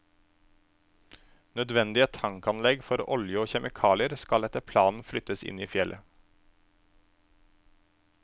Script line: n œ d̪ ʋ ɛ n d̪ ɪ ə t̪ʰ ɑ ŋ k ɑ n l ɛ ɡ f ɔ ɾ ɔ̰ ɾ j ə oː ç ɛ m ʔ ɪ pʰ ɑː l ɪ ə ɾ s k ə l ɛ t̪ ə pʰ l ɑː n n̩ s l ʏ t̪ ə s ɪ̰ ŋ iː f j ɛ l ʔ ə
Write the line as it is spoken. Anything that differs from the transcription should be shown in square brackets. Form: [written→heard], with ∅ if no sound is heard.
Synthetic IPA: n œ d̪ ʋ ɛ n d̪ ɪ ə t̪ʰ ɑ ŋ k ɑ n l ɛ ɡ f ɔ ɾ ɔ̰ [ɾ→l] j ə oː ç ɛ m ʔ ɪ [pʰ→kʰ] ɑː l ɪ ə ɾ s k [ə→ɑ] l ɛ t̪ ə pʰ l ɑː n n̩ [s→f] l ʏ t̪ ə s ɪ̰ [ŋ→n] iː f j ɛ l ʔ ə